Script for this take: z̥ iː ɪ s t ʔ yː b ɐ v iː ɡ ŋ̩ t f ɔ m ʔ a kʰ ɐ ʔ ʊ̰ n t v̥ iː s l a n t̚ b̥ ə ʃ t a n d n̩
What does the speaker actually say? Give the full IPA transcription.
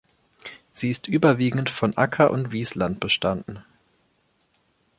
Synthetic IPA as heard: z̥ iː ɪ s t ʔ yː b ɐ v iː ɡ ŋ̩ t f ɔ n ʔ a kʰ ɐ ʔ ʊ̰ n t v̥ iː s l a n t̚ b̥ ə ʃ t a n d n̩